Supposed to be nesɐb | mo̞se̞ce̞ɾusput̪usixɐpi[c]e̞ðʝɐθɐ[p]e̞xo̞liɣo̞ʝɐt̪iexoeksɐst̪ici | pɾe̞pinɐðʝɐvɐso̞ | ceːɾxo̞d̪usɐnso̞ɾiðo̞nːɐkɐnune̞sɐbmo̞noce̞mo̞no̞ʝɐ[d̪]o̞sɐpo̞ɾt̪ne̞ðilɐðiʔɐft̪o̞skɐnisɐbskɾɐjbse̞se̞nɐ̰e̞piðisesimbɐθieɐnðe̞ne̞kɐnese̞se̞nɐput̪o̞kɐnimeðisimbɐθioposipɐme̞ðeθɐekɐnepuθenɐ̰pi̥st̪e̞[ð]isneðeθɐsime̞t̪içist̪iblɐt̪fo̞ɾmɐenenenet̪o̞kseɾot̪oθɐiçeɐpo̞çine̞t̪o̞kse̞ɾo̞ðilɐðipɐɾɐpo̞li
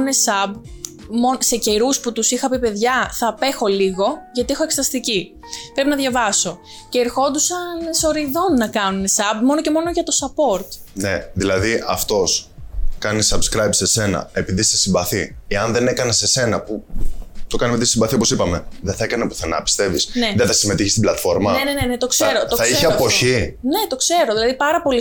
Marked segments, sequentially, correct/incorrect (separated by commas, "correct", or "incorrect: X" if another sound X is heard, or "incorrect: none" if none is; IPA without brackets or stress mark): incorrect: p, correct, incorrect: t̪, incorrect: v